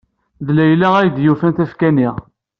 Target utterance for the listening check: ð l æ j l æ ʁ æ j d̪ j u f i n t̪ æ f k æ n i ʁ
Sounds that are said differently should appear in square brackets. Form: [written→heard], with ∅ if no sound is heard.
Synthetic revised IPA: ð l æ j l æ ʁ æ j d̪ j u f [i→æ] n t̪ æ f k æ n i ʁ